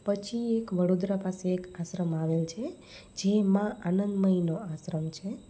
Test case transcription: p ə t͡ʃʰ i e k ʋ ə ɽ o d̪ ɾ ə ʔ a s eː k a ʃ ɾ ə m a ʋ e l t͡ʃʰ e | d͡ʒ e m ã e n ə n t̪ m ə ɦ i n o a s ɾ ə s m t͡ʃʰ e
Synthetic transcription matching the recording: p ə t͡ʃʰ i e k ʋ ə ɽ o d̪ ɾ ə p a s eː k a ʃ ɾ ə m a ʋ e l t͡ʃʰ e | d͡ʒ e m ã a n ə n d̪ m ə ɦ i n o a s ɾ ə m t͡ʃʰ e